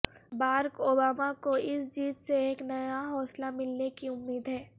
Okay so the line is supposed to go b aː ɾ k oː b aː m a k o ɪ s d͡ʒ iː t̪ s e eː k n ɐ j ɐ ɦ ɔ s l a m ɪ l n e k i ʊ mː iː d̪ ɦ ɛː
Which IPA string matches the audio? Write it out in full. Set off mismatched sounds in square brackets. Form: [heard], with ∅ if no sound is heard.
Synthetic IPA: b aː ɾ k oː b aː m a k o ɪ s d͡ʒ iː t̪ s e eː k n ɐ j [a] ɦ [ɔː] s l a m ɪ l n e k i ʊ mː iː d̪ ɦ ɛː